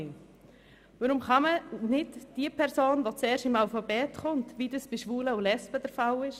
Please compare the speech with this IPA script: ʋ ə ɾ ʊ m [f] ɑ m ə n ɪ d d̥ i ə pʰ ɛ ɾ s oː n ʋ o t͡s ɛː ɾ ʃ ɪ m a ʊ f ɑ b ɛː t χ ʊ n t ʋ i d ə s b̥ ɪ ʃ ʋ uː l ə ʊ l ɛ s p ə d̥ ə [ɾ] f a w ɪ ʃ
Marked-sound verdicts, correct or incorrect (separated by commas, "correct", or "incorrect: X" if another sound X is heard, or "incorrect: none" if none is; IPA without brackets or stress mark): incorrect: χ, correct